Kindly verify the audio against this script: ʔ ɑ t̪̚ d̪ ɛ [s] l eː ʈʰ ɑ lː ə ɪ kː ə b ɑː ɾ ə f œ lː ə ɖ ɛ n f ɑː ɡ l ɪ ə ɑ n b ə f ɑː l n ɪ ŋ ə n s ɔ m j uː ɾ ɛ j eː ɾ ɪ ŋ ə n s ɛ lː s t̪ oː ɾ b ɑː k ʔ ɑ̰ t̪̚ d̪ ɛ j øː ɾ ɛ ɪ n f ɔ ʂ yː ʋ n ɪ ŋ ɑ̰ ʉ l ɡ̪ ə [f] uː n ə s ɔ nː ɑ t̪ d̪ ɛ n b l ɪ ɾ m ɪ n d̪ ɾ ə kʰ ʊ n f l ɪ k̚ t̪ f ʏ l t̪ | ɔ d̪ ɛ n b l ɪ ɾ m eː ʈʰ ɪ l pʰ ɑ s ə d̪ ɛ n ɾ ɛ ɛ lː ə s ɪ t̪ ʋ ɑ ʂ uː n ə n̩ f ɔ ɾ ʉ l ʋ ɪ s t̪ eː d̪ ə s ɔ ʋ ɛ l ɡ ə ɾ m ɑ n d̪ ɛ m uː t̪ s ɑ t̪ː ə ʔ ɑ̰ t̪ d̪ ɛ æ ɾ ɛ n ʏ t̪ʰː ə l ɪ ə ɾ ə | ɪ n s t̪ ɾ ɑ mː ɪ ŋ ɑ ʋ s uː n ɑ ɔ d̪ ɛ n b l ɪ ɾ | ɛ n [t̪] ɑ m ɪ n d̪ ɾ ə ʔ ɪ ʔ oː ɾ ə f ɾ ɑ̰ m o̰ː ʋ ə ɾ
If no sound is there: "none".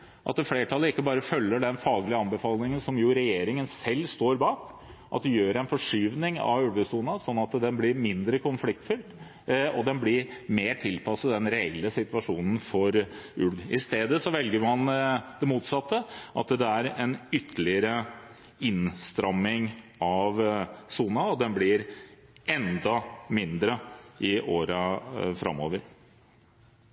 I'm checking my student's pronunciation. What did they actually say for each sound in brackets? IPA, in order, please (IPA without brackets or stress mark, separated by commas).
f, s, d̪